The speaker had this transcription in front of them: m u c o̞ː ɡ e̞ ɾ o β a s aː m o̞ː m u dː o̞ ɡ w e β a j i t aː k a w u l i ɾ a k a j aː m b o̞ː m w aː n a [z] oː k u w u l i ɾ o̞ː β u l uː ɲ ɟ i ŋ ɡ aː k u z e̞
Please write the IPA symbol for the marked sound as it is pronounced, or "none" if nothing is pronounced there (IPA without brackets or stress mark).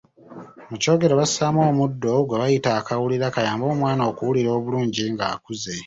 none